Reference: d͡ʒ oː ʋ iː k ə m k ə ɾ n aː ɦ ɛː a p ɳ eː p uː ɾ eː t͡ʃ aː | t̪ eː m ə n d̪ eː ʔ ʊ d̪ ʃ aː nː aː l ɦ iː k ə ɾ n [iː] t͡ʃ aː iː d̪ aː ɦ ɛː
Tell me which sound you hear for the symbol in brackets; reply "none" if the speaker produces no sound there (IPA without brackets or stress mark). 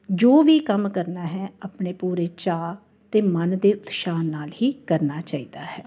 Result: aː